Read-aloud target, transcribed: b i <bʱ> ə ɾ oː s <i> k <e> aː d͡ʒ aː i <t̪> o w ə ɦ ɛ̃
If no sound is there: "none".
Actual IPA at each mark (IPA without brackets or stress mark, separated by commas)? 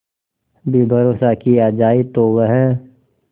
bʱ, a, i, t̪